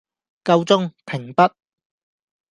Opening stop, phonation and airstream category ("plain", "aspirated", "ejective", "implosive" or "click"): plain